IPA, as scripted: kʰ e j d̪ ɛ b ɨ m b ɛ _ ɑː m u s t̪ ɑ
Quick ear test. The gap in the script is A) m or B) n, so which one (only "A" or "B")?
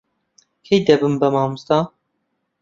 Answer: A